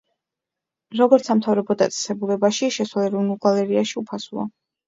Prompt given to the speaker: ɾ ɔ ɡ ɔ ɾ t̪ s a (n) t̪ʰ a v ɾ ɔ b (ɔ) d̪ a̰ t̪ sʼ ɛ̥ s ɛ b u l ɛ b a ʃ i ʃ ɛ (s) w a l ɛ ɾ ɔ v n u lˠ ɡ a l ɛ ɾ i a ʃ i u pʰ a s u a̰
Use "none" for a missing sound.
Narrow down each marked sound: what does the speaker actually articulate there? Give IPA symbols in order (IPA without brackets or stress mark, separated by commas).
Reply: m, ɔ, s